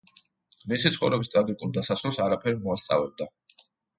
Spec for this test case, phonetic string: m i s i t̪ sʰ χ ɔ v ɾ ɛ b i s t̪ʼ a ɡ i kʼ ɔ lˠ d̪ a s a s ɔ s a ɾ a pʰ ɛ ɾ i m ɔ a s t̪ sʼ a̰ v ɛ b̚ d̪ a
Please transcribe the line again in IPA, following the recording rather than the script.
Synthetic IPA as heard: m i s i t̪ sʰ χ ɔ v ɾ ɛ b i s t̪ʼ a ɡ i kʼ u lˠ d̪ a s a s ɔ s a ɾ a pʰ ɛ ɾ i m ɔ a s t̪ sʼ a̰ v ɛ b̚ d̪ a